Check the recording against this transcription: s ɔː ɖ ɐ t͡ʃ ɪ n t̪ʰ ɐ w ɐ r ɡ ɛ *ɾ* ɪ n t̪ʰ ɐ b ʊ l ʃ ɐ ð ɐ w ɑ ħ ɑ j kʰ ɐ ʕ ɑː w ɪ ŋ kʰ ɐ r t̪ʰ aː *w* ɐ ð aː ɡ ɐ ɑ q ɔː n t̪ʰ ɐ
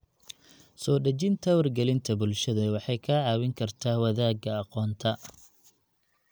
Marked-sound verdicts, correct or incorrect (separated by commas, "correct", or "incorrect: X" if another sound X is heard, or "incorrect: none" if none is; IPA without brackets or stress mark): incorrect: l, correct